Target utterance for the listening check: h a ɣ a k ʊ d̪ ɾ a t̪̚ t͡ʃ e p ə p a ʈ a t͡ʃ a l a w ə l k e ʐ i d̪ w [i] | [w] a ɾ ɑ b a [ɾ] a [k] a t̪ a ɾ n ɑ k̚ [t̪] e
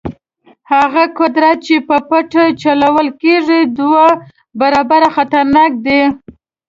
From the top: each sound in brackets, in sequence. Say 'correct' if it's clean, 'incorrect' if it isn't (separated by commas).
incorrect, incorrect, correct, incorrect, incorrect